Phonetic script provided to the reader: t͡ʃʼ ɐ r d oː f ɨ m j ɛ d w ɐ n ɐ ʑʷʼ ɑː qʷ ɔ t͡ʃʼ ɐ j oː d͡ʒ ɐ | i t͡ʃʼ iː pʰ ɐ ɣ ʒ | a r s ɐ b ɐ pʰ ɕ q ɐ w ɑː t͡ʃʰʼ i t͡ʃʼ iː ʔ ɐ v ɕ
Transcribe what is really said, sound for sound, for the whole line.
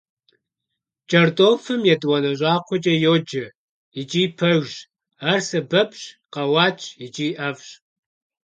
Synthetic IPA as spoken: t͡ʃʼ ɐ r d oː f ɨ m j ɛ d w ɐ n ɐ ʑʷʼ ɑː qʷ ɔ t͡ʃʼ ɐ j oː d͡ʒ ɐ | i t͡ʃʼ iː pʰ ɐ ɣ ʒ | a r s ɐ b ɐ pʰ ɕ q ɐ w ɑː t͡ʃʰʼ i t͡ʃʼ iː ʔ ɐ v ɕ